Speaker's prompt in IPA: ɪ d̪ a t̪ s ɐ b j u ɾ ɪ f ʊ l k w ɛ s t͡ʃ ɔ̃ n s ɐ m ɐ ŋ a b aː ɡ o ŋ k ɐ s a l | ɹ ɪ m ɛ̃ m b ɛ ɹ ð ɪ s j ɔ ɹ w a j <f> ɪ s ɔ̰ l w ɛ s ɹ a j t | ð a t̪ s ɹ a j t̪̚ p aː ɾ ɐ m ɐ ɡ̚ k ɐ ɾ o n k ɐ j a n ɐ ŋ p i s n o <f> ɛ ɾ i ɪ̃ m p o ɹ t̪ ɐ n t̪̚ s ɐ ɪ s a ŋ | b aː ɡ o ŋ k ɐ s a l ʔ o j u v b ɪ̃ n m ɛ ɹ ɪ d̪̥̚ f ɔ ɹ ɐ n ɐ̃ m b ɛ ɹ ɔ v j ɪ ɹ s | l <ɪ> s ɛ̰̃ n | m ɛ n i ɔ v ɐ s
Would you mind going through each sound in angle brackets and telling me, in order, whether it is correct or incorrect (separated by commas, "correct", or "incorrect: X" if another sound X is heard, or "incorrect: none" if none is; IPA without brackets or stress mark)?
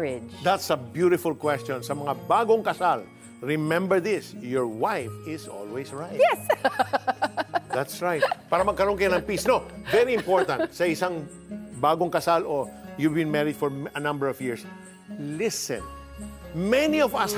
correct, incorrect: v, correct